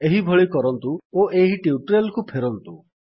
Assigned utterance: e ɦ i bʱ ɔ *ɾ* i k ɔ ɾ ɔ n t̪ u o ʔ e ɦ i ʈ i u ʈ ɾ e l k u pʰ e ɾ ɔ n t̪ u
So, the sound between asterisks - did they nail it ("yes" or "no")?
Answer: no